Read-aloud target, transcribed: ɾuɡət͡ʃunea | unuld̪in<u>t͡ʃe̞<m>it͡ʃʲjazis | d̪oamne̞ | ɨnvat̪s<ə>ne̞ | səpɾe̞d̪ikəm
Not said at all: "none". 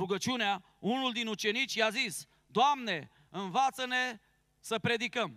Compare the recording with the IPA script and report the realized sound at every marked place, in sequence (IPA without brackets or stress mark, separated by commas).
u, n, ə